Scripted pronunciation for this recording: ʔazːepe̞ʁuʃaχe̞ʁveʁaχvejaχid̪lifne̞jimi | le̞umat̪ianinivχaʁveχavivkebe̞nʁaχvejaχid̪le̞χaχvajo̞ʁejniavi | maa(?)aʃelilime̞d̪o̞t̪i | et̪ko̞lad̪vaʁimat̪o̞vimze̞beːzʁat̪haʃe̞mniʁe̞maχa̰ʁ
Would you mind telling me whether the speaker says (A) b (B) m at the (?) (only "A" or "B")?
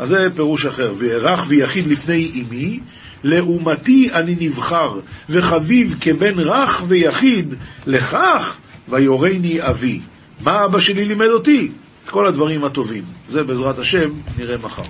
A